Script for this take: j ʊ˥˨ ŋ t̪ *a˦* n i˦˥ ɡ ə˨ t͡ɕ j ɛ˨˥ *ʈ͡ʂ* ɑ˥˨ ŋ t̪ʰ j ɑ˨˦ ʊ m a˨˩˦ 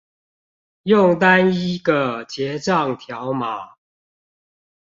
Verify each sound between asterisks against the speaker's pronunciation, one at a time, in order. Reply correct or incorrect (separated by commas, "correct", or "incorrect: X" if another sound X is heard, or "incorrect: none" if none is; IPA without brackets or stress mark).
correct, correct